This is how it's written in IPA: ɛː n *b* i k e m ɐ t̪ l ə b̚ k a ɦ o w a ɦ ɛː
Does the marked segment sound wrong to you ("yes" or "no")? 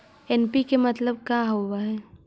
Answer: yes